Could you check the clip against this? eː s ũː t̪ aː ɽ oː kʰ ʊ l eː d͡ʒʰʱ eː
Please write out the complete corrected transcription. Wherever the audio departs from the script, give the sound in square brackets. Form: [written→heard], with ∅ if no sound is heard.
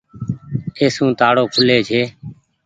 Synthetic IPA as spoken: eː s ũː t̪ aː ɽ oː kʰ ʊ l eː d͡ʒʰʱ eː